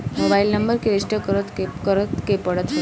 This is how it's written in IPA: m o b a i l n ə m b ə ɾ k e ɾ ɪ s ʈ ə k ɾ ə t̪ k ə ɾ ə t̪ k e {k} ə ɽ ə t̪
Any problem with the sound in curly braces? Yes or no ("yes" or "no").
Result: yes